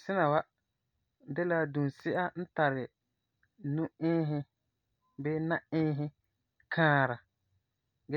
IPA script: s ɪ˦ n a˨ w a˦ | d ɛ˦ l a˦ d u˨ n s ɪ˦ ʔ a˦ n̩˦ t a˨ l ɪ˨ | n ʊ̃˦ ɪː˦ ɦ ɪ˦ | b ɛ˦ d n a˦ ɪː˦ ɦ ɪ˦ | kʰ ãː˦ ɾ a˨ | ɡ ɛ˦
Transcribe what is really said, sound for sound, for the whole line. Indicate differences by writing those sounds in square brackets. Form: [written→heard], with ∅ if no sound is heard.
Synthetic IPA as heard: s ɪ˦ n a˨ w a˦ | d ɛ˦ l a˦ d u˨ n s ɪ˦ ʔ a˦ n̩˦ t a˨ [l→ɾ] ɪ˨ | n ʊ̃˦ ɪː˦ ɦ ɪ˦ | b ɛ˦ [d→∅] n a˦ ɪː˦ ɦ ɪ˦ | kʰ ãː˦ ɾ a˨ | ɡ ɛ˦